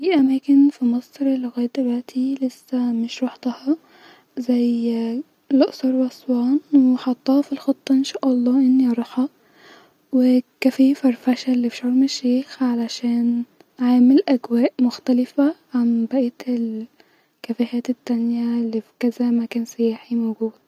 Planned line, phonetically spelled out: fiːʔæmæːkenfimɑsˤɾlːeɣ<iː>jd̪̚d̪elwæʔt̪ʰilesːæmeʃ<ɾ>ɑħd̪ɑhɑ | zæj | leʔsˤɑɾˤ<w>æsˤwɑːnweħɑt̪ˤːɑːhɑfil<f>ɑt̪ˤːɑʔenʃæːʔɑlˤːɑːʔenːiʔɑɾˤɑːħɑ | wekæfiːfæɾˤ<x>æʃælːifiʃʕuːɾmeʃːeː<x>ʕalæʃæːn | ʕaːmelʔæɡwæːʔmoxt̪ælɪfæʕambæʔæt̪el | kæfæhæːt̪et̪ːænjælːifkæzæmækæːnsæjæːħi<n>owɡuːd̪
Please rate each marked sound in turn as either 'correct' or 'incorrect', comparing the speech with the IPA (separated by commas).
incorrect, correct, correct, incorrect, incorrect, correct, incorrect